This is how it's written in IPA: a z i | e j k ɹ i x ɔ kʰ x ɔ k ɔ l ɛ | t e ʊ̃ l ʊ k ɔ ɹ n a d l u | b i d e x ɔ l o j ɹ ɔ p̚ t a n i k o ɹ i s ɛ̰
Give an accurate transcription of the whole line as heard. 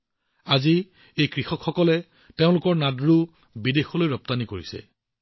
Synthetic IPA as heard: a z i | e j k ɹ i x ɔ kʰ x ɔ k ɔ l ɛ | t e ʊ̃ l ʊ k ɔ ɹ n a d ɹ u | b i d e x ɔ l o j ɹ ɔ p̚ t a n i k o ɹ i s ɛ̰